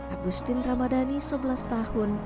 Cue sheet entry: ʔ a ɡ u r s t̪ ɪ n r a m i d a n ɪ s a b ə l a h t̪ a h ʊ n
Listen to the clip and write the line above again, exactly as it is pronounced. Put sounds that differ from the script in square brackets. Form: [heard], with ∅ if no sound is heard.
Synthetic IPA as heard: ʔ a ɡ u [∅] s t̪ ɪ n r a m [a] d a n [i] s [ə] b ə l a [s] t̪ a h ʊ n